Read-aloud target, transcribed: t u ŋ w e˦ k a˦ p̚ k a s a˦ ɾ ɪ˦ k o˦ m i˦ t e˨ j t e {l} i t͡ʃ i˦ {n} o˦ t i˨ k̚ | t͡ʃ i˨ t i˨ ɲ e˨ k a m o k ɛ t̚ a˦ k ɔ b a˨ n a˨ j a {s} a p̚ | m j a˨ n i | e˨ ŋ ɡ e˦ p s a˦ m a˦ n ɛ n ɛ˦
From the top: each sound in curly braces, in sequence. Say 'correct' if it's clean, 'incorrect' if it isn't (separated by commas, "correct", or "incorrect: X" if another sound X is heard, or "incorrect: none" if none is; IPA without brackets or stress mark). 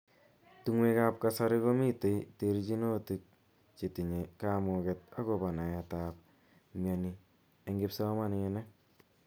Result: incorrect: ɾ, correct, incorrect: t